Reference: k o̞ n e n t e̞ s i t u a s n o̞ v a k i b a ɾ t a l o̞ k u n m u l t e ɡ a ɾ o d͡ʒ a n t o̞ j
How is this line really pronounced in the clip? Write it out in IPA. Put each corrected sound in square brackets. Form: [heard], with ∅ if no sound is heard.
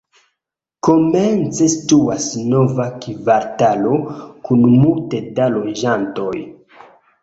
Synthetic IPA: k o̞ [m] e n [t͡s] e̞ s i t u a s n o̞ v a k i [v] a ɾ t a l o̞ k u n m u l t e [d] a [l] o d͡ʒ a n t o̞ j